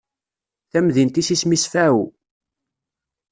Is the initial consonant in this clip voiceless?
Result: yes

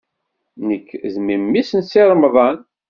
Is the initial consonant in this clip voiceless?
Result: no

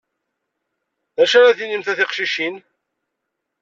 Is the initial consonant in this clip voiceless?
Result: no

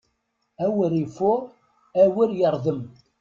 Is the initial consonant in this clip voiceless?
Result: no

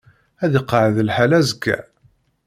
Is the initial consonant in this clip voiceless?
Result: no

